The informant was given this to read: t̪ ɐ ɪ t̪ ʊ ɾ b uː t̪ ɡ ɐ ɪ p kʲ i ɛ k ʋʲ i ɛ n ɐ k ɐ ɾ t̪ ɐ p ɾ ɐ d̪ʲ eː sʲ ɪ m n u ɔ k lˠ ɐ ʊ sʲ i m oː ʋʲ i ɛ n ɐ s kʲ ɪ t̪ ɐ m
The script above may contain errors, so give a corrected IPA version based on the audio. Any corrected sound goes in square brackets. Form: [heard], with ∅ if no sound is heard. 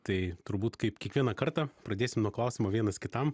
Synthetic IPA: t̪ ɐ ɪ t̪ ʊ ɾ b uː t̪ [k] ɐ ɪ p kʲ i ɛ k ʋʲ i ɛ n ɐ k ɐ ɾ t̪ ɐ p ɾ ɐ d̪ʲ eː sʲ ɪ m n u ɔ k lˠ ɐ ʊ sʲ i m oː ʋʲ i ɛ n ɐ s kʲ ɪ t̪ ɐ m

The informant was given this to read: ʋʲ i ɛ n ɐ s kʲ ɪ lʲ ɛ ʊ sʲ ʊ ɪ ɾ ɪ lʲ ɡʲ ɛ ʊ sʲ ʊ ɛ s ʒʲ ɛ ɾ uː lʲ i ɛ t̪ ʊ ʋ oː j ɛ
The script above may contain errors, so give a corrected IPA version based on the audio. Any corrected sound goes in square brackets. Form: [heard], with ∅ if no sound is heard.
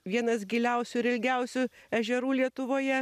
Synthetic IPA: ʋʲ i ɛ n ɐ s [ɡʲ] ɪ lʲ ɛ ʊ sʲ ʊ ɪ ɾ ɪ lʲ ɡʲ ɛ ʊ sʲ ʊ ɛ [∅] ʒʲ ɛ ɾ uː lʲ i ɛ t̪ ʊ ʋ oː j ɛ

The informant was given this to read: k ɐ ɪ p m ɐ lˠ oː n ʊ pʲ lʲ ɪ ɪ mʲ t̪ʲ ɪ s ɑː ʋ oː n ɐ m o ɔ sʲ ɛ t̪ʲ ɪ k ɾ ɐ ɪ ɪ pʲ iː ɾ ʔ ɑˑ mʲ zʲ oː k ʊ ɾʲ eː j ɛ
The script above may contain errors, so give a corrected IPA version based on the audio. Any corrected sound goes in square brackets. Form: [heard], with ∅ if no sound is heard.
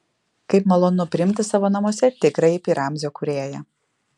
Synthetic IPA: k ɐ ɪ p m ɐ lˠ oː n ʊ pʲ [ɾʲ] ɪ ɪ mʲ t̪ʲ ɪ s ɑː ʋ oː n ɐ m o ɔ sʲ ɛ t̪ʲ ɪ k ɾ ɐ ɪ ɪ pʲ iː ɾ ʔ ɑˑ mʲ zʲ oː k ʊ ɾʲ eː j ɛ

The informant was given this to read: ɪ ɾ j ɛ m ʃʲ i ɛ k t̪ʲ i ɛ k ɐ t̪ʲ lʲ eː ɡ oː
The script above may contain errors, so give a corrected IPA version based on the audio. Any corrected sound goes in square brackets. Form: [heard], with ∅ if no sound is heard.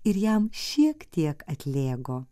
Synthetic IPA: ɪ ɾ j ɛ m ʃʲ i ɛ k t̪ʲ i ɛ k ɐ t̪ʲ lʲ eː ɡ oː

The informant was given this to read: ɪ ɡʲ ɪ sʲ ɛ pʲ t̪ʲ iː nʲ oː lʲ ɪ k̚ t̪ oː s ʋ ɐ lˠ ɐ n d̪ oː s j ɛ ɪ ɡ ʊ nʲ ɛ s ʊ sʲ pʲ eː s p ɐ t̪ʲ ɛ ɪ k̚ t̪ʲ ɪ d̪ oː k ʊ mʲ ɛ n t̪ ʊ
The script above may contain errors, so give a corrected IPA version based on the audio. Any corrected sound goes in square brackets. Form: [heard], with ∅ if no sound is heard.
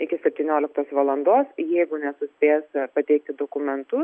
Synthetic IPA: ɪ [kʲ] ɪ sʲ ɛ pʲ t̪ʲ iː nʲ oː lʲ ɪ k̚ t̪ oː s ʋ ɐ lˠ ɐ n d̪ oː s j ɛ ɪ ɡ ʊ nʲ ɛ s ʊ sʲ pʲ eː s p ɐ t̪ʲ ɛ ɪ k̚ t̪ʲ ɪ d̪ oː k ʊ mʲ ɛ n t̪ ʊ

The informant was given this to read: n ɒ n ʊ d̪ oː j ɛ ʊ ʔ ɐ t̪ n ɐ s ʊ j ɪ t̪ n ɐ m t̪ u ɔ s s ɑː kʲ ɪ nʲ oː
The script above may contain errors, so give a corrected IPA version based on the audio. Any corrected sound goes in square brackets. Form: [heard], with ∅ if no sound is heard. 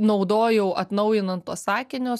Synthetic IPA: n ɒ [∅] ʊ d̪ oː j ɛ ʊ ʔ ɐ t̪ n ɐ [∅] ʊ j ɪ [∅] n ɐ [n] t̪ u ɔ s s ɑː kʲ ɪ nʲ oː

